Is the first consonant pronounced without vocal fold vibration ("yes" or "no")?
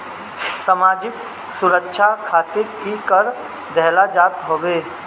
yes